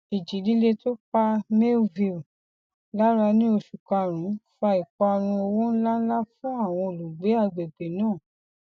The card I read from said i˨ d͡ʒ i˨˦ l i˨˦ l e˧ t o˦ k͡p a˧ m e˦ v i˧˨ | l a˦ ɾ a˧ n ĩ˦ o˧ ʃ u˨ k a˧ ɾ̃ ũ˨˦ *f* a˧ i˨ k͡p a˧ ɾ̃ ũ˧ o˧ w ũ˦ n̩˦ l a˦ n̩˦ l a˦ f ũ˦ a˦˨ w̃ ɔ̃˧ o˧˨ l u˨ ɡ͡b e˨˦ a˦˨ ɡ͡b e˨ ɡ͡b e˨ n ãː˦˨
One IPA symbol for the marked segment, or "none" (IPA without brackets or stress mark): f